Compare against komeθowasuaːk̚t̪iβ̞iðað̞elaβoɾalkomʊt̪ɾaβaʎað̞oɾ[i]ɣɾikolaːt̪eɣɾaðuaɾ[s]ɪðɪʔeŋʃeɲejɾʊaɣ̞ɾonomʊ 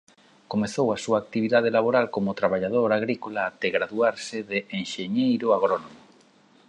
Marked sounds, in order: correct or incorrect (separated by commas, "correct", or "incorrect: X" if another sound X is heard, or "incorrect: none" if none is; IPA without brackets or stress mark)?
incorrect: a, correct